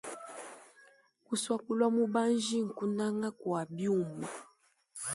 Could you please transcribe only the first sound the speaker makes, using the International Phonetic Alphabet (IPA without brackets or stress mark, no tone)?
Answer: k